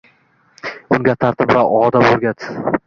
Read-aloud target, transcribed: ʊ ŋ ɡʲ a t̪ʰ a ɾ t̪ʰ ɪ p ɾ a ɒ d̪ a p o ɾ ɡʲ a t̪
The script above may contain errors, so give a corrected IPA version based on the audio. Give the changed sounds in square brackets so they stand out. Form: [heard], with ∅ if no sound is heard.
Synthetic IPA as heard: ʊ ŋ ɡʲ a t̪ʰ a ɾ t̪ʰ ɪ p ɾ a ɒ d̪ a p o ɾ ɡʲ a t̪